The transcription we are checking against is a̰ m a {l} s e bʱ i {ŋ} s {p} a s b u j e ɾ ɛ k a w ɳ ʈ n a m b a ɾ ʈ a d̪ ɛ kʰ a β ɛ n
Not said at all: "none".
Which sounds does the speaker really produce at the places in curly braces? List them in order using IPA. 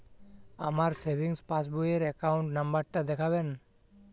ɾ, ŋ, p

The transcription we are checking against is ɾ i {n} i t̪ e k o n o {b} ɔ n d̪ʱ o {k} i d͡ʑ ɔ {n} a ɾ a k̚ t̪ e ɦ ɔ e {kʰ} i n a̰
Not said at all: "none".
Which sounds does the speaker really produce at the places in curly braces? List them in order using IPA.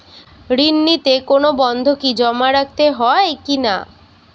nː, b, k, m, k

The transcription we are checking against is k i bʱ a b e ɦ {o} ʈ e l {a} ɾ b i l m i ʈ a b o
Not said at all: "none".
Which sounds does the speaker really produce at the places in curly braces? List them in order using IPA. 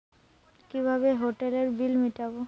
o, e

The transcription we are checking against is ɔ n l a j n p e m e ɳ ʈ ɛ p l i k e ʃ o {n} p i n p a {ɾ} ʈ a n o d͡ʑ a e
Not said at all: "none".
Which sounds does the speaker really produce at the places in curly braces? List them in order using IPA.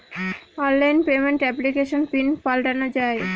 n, l

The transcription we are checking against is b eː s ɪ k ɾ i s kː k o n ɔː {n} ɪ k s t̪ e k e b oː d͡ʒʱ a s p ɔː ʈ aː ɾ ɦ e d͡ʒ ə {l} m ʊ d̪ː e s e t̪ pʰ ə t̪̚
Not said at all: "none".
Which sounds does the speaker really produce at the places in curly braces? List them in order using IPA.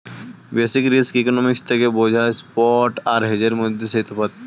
m, ɾ

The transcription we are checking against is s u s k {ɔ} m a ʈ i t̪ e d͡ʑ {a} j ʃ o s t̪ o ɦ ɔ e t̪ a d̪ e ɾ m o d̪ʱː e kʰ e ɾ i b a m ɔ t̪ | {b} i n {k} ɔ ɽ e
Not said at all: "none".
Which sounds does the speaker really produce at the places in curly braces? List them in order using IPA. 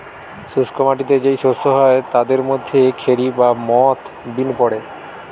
o, e, b, p

